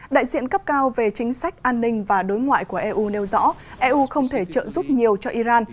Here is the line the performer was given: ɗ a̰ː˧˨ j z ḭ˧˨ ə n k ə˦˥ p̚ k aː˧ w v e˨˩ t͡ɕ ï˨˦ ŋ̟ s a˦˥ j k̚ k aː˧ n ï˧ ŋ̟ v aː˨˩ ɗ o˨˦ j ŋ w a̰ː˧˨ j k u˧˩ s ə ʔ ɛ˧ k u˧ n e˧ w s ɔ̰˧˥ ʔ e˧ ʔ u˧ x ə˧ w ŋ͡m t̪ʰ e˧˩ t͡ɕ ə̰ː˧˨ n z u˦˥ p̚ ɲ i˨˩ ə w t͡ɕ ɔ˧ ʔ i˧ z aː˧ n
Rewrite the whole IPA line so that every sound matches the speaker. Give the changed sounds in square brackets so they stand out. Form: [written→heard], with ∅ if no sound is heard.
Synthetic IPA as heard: ɗ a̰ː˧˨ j z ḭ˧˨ ə n k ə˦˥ p̚ k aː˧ w v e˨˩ t͡ɕ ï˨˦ ŋ̟ s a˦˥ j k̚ [k→ʔ] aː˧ [n→nː] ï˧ ŋ̟ v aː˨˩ ɗ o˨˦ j ŋ w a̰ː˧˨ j k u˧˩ [s→∅] ə ʔ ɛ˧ [k→ʔ] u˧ n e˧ w [s→z] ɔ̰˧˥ ʔ [e˧→ɛ˧] ʔ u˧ x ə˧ w ŋ͡m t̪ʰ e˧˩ t͡ɕ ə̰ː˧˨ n z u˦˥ p̚ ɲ i˨˩ ə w t͡ɕ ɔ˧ ʔ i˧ z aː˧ n

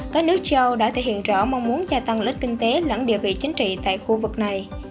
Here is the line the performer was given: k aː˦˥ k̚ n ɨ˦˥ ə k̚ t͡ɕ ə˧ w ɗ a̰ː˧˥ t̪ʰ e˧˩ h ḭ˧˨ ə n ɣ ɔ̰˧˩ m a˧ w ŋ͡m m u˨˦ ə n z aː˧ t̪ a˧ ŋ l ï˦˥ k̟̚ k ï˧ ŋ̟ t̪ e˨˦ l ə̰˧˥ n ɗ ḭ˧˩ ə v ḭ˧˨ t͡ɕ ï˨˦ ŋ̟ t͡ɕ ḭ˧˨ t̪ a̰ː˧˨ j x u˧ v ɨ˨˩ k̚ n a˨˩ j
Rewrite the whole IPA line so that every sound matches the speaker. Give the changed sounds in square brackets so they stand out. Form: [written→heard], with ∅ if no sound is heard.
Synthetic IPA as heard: k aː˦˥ k̚ n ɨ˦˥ ə k̚ t͡ɕ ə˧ w ɗ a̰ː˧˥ t̪ʰ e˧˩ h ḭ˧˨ ə n [ɣ→z] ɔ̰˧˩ m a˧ w ŋ͡m m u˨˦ ə n z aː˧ t̪ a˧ ŋ l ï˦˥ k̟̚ k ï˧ ŋ̟ t̪ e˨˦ l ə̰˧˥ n ɗ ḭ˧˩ ə v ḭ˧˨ t͡ɕ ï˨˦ ŋ̟ t͡ɕ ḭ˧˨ t̪ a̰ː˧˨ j x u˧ v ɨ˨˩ k̚ n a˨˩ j

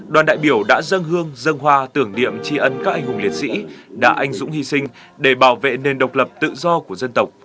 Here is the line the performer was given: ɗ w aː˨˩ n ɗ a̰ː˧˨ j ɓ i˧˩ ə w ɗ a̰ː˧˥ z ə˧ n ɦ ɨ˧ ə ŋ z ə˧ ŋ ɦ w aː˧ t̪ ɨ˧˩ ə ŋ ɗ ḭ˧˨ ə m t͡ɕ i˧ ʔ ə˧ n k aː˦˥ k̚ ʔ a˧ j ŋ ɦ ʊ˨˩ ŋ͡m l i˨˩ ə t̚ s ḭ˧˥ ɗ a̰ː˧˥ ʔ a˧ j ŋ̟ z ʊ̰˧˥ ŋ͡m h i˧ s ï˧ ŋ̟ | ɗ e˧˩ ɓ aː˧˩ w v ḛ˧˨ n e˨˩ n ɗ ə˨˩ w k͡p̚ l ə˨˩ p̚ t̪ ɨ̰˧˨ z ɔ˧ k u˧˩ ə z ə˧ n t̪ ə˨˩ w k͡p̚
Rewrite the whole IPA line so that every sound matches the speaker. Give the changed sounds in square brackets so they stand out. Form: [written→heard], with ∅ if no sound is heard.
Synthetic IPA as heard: ɗ w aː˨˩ n ɗ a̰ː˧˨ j ɓ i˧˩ ə w ɗ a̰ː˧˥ z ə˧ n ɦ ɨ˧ ə ŋ z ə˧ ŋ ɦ w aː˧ t̪ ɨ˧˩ ə ŋ ɗ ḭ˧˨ ə m t͡ɕ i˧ ʔ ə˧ n k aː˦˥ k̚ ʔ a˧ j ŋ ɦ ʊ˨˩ ŋ͡m l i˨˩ ə t̚ s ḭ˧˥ ɗ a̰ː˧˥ ʔ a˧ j ŋ̟ z ʊ̰˧˥ ŋ͡m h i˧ s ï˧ ŋ̟ | ɗ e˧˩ ɓ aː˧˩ w v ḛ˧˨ n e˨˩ n ɗ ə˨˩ w k͡p̚ l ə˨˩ p̚ t̪ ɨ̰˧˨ z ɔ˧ k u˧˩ ə z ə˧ n t̪ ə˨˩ w k͡p̚

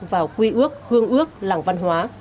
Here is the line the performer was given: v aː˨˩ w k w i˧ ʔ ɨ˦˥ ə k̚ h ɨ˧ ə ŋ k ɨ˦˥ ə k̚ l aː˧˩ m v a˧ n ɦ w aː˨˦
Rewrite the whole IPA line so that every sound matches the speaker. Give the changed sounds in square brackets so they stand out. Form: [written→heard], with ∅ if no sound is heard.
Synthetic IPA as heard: v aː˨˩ w k w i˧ ʔ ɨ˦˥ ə k̚ h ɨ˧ ə ŋ [k→ʔ] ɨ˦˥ ə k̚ l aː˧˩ [m→ŋ] v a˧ n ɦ w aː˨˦

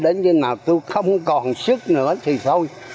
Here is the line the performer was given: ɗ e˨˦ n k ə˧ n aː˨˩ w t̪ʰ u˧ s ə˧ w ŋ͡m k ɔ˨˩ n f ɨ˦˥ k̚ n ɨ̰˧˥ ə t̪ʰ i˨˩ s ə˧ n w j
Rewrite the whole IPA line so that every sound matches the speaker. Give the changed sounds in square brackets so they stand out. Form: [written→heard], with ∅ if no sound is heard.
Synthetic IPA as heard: ɗ e˨˦ n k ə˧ n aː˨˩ w [t̪ʰ→t̪] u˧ [s→x] ə˧ w ŋ͡m k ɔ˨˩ n [f→s] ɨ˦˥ k̚ n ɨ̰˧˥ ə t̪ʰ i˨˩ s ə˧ [n→∅] w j

